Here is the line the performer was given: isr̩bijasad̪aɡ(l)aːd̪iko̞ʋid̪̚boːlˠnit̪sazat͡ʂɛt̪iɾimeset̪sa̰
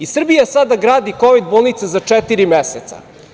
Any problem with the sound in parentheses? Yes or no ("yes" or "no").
yes